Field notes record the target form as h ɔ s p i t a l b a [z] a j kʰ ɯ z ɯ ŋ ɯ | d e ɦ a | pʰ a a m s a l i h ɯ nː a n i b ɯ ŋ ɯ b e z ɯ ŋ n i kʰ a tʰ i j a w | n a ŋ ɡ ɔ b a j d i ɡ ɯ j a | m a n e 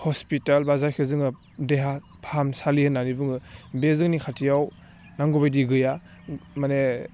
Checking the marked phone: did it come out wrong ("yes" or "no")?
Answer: no